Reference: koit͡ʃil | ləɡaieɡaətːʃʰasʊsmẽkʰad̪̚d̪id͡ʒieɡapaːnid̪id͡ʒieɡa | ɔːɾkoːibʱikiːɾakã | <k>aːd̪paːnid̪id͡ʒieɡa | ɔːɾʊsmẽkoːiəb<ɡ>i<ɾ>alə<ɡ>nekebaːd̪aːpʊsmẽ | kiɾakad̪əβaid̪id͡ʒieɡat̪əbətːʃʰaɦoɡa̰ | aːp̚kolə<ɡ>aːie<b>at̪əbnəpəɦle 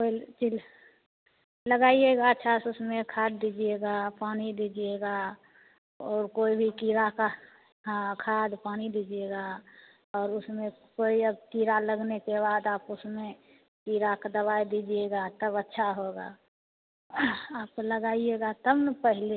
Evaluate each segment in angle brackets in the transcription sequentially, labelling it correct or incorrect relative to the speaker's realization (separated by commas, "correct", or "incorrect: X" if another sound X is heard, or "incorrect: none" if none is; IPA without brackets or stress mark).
incorrect: kʰ, incorrect: k, correct, correct, correct, incorrect: ɡ